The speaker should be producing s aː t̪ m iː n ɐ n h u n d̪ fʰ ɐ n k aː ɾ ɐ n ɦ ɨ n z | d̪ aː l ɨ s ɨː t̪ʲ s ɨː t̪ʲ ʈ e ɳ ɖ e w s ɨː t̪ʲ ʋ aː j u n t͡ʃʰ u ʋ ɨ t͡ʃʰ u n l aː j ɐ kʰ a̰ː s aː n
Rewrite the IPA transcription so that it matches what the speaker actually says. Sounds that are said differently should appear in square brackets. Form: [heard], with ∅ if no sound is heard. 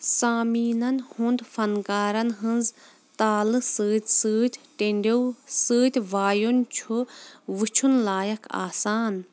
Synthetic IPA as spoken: s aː [∅] m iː n ɐ n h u n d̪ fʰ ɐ n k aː ɾ ɐ n ɦ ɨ n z | [t̪] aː l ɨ s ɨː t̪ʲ s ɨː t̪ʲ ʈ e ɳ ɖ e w s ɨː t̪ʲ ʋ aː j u n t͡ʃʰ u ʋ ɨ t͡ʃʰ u n l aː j ɐ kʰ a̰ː s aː n